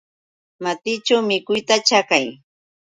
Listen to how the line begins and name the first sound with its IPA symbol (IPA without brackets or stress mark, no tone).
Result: m